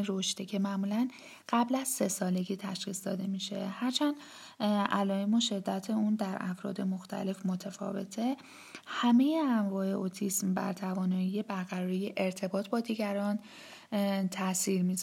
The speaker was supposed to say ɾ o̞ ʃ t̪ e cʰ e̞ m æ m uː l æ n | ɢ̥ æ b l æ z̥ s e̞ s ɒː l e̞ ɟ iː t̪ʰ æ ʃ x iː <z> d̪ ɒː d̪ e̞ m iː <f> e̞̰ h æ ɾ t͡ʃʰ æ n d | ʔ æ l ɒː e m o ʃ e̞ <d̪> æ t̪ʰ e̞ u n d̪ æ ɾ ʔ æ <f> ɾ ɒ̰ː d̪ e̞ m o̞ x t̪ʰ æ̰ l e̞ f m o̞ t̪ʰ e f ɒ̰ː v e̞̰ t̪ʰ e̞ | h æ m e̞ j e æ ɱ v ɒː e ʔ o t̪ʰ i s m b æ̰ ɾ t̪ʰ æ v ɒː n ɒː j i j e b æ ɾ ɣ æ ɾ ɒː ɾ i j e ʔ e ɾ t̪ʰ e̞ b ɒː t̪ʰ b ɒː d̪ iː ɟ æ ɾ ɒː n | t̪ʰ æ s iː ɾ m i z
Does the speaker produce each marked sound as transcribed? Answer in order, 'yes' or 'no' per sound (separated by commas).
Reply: no, no, no, yes